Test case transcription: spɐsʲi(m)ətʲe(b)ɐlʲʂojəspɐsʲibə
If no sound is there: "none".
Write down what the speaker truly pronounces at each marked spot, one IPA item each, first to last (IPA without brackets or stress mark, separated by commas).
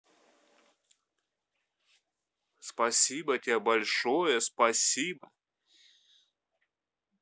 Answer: b, b